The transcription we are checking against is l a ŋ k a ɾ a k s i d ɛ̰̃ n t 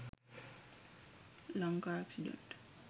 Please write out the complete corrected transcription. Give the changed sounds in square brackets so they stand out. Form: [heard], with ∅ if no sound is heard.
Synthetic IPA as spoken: l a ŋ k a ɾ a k s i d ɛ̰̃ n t